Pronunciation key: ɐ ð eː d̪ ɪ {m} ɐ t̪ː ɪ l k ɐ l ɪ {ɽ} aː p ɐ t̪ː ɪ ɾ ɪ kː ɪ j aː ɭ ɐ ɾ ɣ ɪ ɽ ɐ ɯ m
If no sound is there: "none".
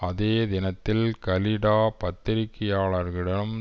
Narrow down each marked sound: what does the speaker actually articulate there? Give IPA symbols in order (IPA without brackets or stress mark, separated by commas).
n, ɽ